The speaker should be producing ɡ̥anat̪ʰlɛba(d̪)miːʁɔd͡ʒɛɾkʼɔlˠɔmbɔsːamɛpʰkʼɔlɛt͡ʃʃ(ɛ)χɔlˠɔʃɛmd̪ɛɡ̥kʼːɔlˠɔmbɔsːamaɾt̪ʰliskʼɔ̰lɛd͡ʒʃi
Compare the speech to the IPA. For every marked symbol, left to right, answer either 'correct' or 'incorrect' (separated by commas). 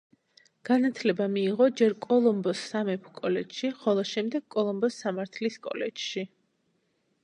incorrect, incorrect